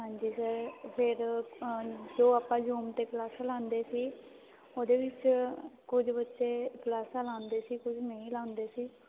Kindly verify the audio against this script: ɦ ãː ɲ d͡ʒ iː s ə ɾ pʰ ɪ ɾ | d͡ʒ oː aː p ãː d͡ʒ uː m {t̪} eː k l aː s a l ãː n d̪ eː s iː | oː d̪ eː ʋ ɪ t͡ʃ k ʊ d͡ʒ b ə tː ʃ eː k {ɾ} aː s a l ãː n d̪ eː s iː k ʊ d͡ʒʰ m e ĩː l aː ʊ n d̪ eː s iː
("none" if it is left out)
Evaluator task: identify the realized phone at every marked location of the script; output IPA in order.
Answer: t̪, l

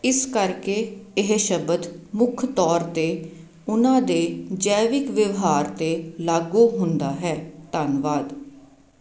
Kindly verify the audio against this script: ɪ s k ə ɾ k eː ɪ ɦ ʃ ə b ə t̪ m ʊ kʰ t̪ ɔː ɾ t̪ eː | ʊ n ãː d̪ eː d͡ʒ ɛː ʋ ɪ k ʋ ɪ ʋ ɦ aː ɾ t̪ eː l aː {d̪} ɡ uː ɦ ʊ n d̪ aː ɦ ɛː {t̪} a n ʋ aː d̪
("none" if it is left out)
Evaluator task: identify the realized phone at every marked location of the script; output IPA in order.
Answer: none, t̪

